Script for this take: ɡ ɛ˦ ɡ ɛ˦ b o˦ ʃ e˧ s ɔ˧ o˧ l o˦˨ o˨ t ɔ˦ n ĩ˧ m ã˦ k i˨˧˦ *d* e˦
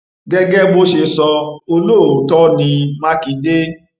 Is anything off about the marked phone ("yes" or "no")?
no